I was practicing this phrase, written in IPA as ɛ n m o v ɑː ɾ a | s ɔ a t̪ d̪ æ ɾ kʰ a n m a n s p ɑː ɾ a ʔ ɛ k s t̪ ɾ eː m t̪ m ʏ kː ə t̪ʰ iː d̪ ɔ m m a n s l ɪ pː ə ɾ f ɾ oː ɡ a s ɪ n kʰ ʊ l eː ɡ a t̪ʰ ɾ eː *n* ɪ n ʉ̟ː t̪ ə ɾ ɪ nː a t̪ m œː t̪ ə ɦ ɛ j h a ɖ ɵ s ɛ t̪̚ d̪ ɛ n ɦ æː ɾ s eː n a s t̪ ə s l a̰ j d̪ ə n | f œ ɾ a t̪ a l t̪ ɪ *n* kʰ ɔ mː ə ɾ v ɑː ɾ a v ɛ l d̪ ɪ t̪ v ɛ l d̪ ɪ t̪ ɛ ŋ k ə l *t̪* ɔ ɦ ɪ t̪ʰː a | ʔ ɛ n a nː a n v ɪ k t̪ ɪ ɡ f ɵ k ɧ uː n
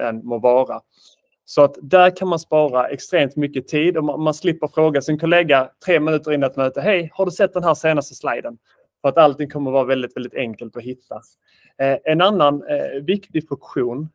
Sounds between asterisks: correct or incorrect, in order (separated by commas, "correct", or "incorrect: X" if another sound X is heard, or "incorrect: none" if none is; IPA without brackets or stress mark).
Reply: incorrect: m, incorrect: ŋ, correct